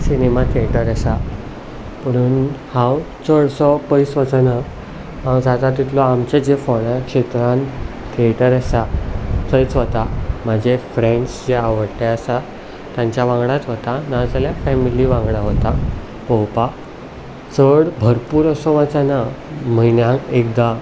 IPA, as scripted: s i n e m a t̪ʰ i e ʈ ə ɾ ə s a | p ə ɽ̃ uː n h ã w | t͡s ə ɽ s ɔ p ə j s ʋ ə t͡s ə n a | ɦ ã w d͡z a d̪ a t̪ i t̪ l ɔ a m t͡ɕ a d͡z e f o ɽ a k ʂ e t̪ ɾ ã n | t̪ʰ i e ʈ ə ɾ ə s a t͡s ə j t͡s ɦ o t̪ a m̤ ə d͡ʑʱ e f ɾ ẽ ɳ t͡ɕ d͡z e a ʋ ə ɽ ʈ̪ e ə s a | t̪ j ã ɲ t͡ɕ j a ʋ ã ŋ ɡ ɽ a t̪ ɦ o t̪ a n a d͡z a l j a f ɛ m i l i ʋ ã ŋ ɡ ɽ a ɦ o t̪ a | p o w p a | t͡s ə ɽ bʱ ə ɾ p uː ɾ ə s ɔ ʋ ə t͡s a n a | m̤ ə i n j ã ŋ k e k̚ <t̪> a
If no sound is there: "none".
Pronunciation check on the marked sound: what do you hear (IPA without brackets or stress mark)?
d̪